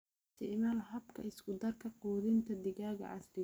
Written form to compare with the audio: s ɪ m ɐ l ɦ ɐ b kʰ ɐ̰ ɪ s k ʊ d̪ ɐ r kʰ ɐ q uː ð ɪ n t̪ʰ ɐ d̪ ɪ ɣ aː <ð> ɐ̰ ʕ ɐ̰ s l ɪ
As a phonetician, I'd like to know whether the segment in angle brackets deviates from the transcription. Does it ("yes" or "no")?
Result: yes